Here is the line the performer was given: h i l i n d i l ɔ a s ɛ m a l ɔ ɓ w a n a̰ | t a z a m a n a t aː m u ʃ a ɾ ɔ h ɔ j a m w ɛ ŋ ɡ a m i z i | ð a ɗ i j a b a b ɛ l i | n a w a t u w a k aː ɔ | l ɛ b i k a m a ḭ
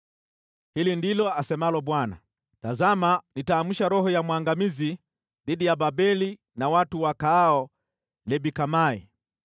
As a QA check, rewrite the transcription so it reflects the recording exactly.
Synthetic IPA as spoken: h i l i n d i l ɔ a s ɛ m a l ɔ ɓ w a n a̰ | t a z a m a n i t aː m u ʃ a ɾ ɔ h ɔ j a m w a ŋ ɡ a m i z i | ð i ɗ i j a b a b ɛ l i | n a w a t u w a k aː ɔ | l ɛ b i k a m a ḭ